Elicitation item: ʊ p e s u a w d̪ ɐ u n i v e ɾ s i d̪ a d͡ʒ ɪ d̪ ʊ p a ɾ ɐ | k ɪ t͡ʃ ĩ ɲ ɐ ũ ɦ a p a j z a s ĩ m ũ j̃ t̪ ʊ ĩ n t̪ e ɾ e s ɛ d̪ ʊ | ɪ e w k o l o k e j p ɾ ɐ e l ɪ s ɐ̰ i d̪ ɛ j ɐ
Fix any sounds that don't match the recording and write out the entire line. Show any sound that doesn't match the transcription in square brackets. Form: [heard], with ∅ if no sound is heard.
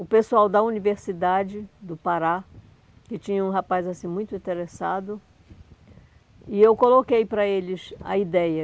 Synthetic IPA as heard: ʊ p e s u a w d̪ ɐ u n i v e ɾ s i d̪ a d͡ʒ ɪ d̪ ʊ p a ɾ [a] | k ɪ t͡ʃ ĩ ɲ ɐ ũ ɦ a p a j z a s ĩ m ũ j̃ t̪ ʊ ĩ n t̪ e ɾ e s [a] d̪ ʊ | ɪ e w k o l o k e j p ɾ ɐ e l ɪ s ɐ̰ i d̪ ɛ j ɐ